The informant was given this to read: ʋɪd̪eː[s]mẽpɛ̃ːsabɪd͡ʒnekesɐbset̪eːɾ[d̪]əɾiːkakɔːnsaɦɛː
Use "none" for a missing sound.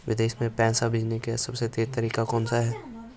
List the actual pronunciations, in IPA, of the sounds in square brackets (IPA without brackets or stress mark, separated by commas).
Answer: ʃ, t̪